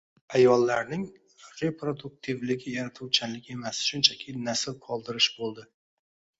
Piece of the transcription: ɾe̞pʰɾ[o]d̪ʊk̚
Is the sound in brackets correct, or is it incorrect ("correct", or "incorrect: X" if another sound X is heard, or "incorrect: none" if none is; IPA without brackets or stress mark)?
correct